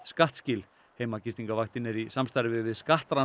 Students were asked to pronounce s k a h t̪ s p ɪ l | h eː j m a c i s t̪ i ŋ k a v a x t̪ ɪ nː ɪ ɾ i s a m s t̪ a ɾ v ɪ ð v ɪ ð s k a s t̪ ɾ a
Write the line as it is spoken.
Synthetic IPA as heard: s k a h t̪ s c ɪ l | h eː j m a c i s t̪ i ŋ k a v a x t̪ ɪ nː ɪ ɾ i s a m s t̪ a ɾ v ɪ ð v ɪ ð s k a h t̪ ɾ a